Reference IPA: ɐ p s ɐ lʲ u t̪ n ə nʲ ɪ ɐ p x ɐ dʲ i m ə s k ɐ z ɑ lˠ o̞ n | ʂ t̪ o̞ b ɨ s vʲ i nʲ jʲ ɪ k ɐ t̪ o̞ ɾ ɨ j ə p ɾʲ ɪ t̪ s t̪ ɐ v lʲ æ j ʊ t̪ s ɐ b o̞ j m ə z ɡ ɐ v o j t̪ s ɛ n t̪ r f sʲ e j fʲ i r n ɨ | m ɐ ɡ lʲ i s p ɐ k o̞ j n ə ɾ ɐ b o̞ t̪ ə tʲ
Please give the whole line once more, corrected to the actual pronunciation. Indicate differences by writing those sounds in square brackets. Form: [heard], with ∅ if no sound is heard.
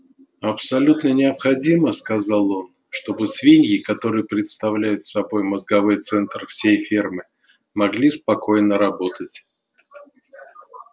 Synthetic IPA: ɐ p s ɐ lʲ u t̪ n ə nʲ ɪ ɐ p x ɐ dʲ i m ə s k ɐ z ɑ lˠ o̞ n | ʂ t̪ o̞ b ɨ s vʲ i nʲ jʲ ɪ k ɐ t̪ o̞ ɾ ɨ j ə p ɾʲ ɪ t̪ s t̪ ɐ v lʲ æ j ʊ t̪ s ɐ b o̞ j m ə z ɡ ɐ v o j t̪ s ɛ n t̪ r f sʲ e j fʲ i r [m] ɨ | m ɐ ɡ lʲ i s p ɐ k o̞ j n ə ɾ ɐ b o̞ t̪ ə tʲ